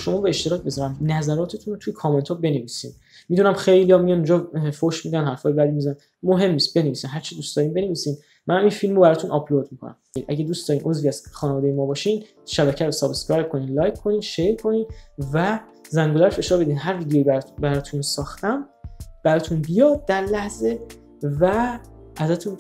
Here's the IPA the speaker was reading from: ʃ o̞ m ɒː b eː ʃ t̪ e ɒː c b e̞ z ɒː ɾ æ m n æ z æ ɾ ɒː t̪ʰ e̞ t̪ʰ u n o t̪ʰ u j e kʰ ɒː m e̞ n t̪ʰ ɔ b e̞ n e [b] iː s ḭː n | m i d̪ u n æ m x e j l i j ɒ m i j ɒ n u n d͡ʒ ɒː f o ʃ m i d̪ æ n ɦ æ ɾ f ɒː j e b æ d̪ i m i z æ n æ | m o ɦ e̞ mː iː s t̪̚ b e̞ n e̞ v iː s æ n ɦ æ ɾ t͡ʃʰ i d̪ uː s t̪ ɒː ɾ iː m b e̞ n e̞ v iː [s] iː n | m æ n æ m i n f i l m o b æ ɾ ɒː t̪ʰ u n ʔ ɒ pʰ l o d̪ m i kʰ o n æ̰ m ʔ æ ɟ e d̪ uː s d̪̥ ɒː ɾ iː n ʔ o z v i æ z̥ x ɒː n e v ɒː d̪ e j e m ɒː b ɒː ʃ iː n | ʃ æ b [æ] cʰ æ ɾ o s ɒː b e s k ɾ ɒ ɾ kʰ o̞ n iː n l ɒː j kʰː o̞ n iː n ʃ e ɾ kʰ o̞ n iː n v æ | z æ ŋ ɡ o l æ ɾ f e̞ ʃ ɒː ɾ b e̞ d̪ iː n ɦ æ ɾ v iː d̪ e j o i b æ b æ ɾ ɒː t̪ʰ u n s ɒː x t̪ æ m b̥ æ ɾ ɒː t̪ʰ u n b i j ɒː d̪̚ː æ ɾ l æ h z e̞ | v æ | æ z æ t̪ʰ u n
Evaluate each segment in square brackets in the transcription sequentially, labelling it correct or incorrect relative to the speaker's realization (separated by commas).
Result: incorrect, correct, correct